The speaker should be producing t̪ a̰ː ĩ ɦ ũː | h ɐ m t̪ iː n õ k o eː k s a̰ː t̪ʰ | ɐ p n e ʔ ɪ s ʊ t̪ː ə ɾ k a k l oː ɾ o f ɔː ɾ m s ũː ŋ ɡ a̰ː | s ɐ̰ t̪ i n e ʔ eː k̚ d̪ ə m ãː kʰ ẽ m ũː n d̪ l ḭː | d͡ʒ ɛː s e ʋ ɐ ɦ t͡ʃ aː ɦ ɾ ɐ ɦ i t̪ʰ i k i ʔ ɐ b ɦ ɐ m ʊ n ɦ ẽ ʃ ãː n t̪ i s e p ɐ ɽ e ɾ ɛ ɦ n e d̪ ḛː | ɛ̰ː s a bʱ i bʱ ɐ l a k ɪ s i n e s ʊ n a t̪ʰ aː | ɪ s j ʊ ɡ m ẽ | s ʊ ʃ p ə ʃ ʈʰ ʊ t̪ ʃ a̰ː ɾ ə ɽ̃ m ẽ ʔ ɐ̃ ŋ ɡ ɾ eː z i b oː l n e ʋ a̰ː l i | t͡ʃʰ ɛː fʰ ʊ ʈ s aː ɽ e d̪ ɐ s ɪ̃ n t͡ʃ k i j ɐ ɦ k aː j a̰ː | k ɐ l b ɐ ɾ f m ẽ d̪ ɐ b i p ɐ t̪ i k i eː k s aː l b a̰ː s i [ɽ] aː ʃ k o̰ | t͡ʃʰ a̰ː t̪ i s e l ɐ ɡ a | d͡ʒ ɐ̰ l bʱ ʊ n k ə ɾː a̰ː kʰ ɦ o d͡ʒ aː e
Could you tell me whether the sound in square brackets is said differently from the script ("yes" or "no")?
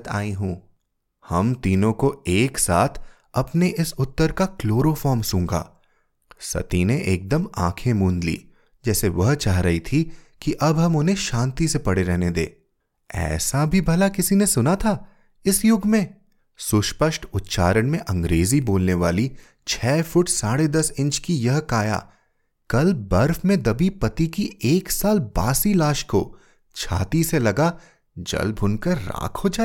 yes